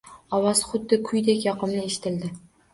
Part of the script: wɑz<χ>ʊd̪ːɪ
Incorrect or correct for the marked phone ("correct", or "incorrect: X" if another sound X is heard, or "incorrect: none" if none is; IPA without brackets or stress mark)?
correct